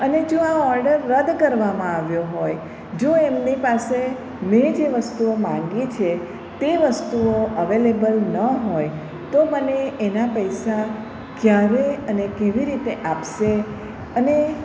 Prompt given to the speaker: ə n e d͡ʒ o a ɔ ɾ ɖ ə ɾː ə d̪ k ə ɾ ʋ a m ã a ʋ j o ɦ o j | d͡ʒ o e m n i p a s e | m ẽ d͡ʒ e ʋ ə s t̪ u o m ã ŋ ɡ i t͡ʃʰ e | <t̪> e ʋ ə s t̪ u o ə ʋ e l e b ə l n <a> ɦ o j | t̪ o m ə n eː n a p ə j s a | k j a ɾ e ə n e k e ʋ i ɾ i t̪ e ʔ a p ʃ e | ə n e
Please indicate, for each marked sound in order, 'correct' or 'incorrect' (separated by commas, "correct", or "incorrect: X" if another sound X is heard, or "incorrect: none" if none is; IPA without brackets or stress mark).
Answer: correct, incorrect: ə